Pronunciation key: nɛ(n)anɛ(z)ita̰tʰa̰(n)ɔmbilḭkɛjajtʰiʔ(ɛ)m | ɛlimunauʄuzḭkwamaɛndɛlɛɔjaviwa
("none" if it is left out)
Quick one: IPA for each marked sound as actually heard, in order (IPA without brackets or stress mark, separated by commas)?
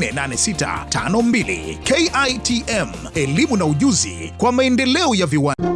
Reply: n, s, n, ɛ